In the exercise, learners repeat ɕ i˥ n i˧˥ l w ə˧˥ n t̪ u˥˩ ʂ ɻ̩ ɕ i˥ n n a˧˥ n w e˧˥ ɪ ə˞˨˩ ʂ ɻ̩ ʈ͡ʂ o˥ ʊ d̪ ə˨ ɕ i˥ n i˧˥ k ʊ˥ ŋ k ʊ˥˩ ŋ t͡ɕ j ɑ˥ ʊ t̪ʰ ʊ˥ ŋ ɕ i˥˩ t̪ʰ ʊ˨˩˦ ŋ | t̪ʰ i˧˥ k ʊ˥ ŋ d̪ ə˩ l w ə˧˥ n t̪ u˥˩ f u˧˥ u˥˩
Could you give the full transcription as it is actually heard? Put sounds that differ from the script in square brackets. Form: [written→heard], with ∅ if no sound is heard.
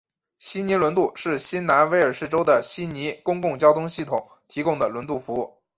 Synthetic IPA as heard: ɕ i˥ n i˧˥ l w ə˧˥ n t̪ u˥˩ ʂ ɻ̩ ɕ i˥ n n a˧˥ n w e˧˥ ɪ ə˞˨˩ ʂ ɻ̩ ʈ͡ʂ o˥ ʊ d̪ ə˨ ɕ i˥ n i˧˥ k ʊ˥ ŋ k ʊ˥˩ ŋ t͡ɕ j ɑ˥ ʊ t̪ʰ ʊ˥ ŋ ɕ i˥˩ t̪ʰ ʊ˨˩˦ ŋ | t̪ʰ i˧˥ k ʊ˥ ŋ d̪ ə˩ l w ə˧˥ n t̪ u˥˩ f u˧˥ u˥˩